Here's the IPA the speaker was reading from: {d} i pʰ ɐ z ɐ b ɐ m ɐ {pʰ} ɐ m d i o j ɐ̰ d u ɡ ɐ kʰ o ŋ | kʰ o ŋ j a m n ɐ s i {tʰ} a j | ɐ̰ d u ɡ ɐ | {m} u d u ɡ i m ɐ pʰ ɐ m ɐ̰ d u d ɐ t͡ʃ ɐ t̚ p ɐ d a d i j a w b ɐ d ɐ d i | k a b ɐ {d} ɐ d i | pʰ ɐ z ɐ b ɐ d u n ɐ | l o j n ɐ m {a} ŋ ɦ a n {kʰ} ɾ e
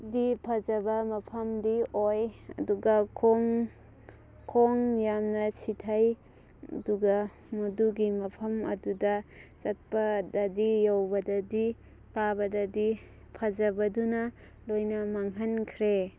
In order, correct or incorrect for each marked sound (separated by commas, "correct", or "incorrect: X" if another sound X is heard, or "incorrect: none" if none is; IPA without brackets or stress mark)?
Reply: correct, correct, correct, correct, correct, correct, correct